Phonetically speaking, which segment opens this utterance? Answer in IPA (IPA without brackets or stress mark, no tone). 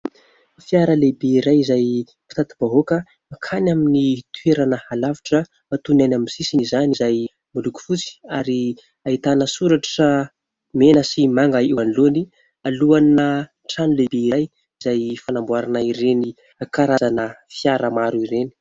f